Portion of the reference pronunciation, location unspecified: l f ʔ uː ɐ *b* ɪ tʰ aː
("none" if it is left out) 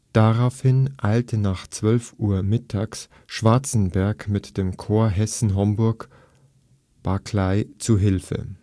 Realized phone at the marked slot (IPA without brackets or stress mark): m